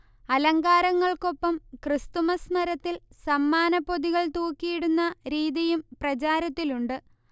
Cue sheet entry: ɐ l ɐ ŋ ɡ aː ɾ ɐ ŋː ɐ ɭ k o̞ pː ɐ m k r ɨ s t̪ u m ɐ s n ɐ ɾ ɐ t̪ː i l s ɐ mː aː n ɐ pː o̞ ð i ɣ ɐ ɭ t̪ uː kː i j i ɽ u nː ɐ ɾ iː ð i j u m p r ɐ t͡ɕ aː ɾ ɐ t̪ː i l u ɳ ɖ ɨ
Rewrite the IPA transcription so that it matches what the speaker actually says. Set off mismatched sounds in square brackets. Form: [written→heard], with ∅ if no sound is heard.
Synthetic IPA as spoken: ɐ l ɐ ŋ ɡ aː ɾ ɐ ŋː ɐ ɭ k o̞ pː ɐ m k r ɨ s t̪ u m ɐ s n ɐ ɾ ɐ t̪ː i l s ɐ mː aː n ɐ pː o̞ ð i ɣ ɐ ɭ t̪ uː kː i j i ɽ u nː ɐ ɾ iː ð i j u m p r ɐ t͡ɕ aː ɾ ɐ t̪ː i l u ɳ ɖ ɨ